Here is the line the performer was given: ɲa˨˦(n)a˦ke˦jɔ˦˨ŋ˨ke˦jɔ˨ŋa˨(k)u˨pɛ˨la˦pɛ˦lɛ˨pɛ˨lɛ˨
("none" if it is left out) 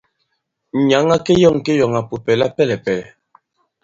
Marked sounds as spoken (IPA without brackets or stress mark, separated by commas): ŋ, p